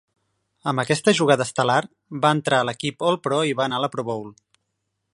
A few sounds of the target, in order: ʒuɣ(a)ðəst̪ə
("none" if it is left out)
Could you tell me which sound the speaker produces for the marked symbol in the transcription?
a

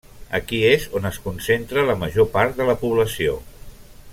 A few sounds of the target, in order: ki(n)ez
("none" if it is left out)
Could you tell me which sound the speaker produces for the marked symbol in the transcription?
none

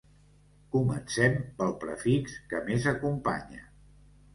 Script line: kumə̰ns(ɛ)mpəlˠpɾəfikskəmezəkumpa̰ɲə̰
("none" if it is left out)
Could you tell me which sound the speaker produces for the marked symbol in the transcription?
ɛ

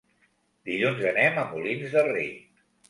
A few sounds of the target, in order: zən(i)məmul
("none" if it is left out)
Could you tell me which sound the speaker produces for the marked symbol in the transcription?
ɛ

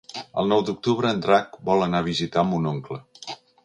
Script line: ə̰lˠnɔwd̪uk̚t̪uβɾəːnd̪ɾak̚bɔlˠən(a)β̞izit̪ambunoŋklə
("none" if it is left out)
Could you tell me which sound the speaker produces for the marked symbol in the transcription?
a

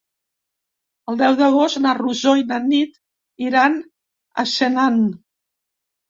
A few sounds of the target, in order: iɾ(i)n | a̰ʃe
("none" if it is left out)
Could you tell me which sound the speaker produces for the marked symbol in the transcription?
a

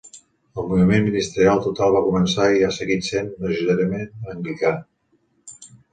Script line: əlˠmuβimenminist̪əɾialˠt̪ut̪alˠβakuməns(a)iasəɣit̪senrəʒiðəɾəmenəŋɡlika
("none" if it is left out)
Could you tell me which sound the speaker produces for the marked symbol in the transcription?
a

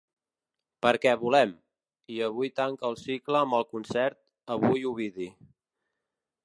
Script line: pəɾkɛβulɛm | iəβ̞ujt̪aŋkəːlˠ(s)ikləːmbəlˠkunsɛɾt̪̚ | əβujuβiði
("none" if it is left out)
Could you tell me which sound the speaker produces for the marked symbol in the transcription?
s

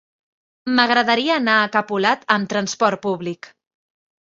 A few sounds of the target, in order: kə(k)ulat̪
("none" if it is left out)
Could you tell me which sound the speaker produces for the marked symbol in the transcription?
p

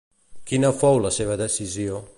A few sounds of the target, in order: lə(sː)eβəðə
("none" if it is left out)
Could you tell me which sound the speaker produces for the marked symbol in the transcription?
s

